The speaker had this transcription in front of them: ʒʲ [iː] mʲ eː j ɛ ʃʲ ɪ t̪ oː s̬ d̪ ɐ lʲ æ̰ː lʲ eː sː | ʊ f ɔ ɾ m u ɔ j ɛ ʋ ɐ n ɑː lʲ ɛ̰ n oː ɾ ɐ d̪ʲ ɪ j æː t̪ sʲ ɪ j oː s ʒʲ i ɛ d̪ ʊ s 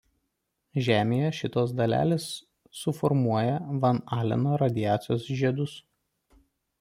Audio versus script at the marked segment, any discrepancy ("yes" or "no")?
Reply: yes